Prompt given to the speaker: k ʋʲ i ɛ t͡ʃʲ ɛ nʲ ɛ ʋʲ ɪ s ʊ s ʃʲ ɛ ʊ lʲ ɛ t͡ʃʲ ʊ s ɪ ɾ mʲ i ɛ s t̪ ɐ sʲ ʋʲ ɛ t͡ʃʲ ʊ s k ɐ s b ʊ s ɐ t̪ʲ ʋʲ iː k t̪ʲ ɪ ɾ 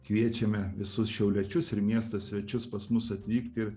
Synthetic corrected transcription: k ʋʲ i ɛ t͡ʃʲ ɛ mʲ ɛ ʋʲ ɪ s ʊ s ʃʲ ɛ ʊ lʲ ɛ t͡ʃʲ ʊ s ɪ ɾ mʲ i ɛ s t̪ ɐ sʲ ʋʲ ɛ t͡ʃʲ ʊ s p ɐ s m ʊ s ɐ t̪ʲ ʋʲ iː k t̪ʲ ɪ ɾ